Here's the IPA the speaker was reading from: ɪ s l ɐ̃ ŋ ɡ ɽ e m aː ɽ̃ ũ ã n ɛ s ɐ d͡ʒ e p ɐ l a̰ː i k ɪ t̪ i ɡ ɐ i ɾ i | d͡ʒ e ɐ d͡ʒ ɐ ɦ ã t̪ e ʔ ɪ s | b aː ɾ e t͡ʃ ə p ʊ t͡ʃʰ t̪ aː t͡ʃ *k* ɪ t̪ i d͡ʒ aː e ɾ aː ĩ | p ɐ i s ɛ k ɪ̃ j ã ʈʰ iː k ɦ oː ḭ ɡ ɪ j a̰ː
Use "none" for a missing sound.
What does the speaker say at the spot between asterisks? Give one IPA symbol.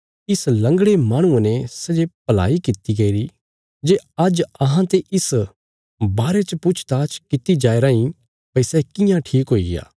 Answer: k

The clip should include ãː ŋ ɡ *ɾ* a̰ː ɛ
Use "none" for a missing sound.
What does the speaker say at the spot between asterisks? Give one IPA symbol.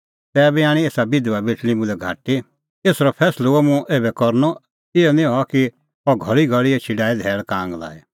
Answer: l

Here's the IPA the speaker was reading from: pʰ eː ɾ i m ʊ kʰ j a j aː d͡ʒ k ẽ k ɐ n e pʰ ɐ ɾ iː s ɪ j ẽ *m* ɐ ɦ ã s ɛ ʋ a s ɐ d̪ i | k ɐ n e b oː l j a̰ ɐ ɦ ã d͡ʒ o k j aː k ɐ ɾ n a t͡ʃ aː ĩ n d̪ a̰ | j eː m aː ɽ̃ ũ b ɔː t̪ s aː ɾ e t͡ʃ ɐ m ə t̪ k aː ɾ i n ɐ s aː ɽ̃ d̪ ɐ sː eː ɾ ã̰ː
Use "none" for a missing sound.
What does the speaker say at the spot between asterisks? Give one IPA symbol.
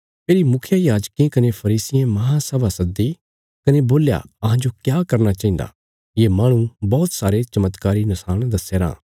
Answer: m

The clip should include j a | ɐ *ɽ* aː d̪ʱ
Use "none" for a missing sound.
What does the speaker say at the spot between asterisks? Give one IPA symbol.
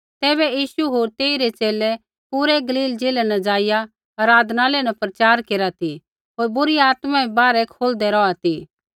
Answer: ɾ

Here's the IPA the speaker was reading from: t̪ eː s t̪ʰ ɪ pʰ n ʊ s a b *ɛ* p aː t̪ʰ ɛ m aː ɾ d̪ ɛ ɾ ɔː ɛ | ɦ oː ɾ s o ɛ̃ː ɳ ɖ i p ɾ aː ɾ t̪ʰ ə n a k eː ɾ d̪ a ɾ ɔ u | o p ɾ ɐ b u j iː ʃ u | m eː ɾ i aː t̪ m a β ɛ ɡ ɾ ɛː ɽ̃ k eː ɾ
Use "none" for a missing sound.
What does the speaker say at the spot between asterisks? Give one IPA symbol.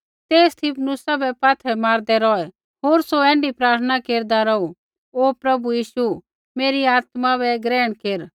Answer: ɛ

